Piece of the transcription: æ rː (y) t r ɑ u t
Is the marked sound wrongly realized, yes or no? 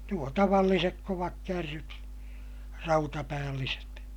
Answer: no